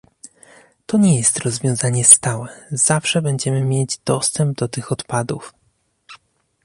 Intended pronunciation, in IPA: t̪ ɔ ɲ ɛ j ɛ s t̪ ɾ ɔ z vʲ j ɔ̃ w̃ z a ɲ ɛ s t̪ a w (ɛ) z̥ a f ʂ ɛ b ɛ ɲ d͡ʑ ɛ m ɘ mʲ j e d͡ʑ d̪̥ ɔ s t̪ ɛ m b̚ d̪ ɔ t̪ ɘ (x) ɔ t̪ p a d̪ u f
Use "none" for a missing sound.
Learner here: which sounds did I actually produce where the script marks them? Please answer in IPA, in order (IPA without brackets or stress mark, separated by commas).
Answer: ɛ, x